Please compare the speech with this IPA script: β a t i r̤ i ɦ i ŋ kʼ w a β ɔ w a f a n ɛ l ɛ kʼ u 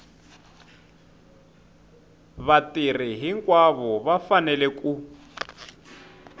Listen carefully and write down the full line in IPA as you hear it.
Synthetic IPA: β a t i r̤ i ɦ i ŋ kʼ w a β ɔ β a f a n ɛ l ɛ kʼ u